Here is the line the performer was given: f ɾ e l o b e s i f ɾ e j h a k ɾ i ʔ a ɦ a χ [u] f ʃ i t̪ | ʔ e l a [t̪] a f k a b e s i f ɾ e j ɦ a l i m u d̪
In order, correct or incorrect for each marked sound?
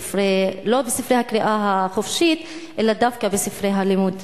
incorrect: o, incorrect: d̪

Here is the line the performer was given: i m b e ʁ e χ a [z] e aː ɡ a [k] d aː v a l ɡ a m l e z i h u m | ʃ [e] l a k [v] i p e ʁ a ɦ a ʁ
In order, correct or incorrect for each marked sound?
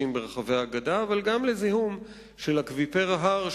incorrect: v, incorrect: none, correct, correct

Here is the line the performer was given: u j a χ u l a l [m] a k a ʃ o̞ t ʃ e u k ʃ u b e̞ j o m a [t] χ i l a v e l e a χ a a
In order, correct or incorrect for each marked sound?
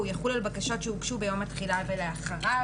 incorrect: b, correct

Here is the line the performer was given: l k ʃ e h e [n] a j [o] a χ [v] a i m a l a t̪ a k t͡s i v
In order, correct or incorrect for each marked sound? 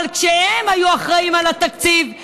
incorrect: m, incorrect: u, incorrect: ʁ

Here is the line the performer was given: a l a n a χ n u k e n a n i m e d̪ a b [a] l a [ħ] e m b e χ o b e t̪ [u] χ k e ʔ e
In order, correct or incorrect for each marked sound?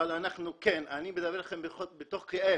incorrect: e, incorrect: χ, incorrect: o

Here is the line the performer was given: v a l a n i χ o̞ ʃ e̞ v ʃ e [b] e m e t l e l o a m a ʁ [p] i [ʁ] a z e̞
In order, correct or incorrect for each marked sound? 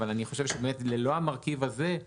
correct, incorrect: k, incorrect: v

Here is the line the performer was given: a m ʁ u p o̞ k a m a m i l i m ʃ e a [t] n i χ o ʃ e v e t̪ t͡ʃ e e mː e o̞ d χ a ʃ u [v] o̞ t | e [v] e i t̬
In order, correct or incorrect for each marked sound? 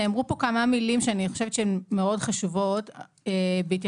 incorrect: none, correct, incorrect: b

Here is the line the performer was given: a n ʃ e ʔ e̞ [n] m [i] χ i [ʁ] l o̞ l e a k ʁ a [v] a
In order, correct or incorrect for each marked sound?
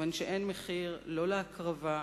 correct, incorrect: e, correct, correct

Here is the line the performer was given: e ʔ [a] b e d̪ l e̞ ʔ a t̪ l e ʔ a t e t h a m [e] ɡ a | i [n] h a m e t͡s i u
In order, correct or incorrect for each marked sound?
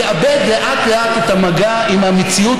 correct, incorrect: a, incorrect: m

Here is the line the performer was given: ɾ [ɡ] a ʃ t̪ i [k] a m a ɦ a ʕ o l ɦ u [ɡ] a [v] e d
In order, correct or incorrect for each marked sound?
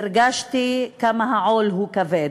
correct, correct, incorrect: k, correct

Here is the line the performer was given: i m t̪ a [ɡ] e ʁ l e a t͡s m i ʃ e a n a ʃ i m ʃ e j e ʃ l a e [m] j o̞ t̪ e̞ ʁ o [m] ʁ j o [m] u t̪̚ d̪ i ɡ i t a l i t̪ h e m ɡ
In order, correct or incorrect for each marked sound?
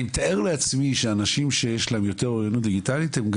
incorrect: none, correct, incorrect: none, incorrect: n

